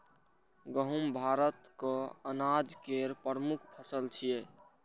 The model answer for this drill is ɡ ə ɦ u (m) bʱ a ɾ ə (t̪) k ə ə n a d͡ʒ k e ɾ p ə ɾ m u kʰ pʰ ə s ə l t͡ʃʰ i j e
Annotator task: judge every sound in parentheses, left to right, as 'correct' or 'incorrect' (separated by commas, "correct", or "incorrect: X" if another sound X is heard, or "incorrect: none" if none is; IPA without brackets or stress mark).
correct, correct